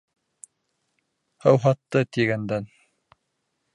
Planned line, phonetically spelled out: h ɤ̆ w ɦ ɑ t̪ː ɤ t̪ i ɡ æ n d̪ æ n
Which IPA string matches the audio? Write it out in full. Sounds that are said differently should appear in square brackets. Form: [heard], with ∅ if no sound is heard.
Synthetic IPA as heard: h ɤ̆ w ɦ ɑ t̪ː ɤ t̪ i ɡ æ n d̪ æ n